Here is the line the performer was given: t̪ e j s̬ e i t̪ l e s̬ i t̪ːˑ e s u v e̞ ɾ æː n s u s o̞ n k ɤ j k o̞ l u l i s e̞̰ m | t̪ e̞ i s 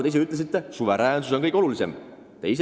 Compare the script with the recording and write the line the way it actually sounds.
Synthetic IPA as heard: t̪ e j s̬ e y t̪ l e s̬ i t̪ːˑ e s u v e̞ ɾ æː n s u s o̞ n k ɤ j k o̞ l u l i s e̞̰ m | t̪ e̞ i s